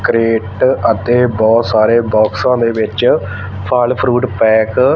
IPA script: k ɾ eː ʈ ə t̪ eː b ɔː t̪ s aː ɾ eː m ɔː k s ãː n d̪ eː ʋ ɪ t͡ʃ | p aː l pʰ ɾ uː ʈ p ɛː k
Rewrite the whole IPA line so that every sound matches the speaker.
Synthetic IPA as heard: k ɾ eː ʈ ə t̪ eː b ɔː t̪ s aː ɾ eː b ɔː k s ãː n d̪ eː ʋ ɪ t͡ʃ | pʰ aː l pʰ ɾ uː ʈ p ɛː k